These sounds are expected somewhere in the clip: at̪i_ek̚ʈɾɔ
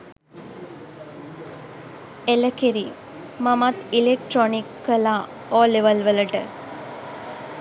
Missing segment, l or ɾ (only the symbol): l